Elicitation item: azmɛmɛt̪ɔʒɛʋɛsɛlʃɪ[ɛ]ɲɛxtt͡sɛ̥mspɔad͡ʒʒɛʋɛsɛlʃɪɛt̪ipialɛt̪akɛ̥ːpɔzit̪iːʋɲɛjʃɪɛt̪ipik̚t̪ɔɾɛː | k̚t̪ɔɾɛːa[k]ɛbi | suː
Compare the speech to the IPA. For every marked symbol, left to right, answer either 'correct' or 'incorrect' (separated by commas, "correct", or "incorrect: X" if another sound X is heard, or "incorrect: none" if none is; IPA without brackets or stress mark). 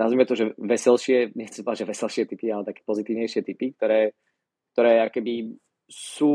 correct, correct